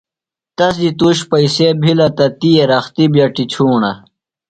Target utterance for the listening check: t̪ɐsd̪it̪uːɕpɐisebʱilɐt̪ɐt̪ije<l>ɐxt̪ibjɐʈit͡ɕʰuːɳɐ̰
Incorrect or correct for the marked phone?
incorrect: ɾ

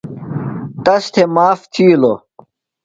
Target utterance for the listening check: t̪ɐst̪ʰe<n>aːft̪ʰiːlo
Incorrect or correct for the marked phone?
incorrect: m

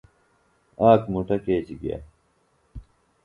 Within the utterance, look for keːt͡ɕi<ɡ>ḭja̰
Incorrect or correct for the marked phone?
correct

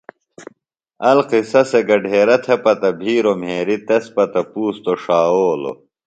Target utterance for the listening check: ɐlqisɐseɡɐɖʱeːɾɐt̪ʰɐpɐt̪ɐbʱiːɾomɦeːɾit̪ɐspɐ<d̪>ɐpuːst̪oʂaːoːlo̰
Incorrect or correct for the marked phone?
incorrect: t̪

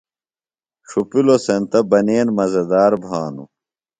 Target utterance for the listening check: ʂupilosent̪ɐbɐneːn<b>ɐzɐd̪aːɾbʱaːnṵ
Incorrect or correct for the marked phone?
incorrect: m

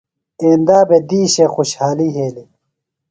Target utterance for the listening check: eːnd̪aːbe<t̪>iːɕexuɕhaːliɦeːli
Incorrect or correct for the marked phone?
incorrect: d̪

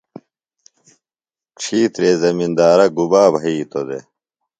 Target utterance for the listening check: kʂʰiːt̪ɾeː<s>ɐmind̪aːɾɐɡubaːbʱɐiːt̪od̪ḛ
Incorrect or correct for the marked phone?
incorrect: z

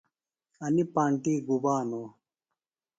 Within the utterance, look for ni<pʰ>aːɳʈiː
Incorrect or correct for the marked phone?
incorrect: p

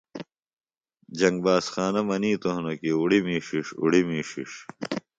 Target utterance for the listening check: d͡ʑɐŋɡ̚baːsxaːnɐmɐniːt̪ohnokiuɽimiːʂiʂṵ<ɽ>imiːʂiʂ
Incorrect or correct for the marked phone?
correct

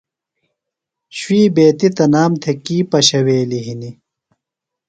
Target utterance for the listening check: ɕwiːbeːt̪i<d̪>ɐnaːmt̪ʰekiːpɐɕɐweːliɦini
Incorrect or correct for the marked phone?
incorrect: t̪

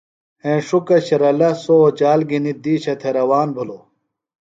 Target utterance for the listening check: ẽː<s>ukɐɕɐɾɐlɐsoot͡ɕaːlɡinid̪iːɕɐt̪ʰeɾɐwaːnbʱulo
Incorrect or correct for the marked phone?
incorrect: ʂ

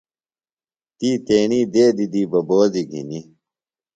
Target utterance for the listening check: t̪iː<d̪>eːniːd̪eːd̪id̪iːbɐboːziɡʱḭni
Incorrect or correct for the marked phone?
incorrect: t̪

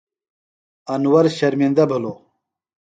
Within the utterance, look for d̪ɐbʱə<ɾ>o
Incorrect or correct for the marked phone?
incorrect: l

